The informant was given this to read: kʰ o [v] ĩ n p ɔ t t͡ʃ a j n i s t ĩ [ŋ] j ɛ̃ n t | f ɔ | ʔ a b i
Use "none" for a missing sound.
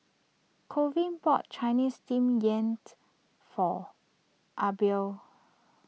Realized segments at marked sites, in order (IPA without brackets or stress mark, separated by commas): v, m